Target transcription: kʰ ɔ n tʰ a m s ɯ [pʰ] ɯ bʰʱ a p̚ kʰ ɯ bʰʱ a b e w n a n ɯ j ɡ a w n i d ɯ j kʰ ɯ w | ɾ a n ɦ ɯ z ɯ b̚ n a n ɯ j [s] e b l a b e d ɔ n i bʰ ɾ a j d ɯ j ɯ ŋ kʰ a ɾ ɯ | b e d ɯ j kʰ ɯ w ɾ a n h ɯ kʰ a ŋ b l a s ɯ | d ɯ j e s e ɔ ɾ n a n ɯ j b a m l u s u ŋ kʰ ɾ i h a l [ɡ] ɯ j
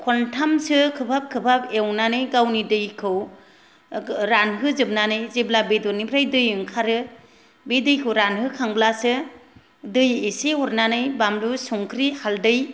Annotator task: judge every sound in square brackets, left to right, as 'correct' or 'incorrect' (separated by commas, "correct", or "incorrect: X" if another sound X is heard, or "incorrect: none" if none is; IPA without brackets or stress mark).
incorrect: kʰ, incorrect: z, incorrect: d